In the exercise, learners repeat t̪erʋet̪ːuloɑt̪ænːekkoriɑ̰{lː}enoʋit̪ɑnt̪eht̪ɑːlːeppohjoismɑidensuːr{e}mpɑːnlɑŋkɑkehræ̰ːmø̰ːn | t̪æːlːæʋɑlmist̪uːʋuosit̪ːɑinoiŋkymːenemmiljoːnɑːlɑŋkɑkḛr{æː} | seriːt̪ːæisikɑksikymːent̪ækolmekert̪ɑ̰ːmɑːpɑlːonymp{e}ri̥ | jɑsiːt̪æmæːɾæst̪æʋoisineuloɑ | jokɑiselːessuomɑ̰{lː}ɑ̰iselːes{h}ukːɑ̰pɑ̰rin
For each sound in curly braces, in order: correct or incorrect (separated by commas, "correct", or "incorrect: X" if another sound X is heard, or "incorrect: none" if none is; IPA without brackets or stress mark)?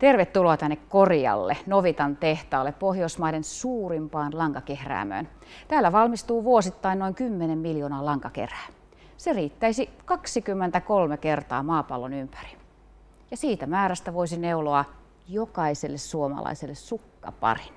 correct, incorrect: i, correct, incorrect: æ, incorrect: l, incorrect: s